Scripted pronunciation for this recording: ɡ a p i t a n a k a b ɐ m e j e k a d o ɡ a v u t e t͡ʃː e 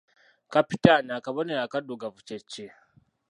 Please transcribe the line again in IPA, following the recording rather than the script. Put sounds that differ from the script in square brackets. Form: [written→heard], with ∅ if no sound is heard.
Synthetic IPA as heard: [ɡ→k] a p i t a n a k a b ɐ [m→n] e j [e→a] k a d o ɡ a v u [t→t͡ʃ] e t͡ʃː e